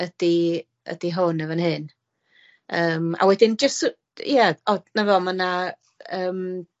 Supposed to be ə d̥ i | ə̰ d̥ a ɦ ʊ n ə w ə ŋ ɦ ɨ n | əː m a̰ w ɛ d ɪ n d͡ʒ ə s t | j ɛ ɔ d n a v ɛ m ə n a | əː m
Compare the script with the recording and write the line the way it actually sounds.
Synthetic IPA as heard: ə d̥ i | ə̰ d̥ i ɦ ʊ n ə v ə n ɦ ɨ n | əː m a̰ w ɛ d ɪ n d͡ʒ ə s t | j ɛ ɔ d n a v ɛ m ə n a | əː m